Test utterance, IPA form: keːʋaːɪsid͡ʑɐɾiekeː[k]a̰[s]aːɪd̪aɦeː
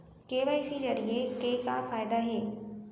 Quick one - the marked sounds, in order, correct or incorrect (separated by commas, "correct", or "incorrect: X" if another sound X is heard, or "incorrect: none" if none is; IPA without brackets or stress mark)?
correct, incorrect: f